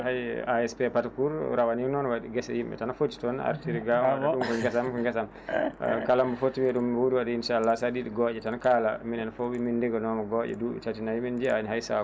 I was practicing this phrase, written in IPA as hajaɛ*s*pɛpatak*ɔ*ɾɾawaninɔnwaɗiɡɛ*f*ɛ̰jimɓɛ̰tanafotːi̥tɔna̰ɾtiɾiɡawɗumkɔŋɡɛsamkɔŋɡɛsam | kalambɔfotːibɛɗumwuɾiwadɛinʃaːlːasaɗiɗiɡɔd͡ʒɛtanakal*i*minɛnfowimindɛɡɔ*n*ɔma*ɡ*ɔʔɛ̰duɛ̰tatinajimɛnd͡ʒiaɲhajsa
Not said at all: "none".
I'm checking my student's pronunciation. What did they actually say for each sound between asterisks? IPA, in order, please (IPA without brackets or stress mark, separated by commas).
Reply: s, u, s, a, n, ɡ